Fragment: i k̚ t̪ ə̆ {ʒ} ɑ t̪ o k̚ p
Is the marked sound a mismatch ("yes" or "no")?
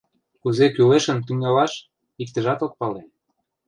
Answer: no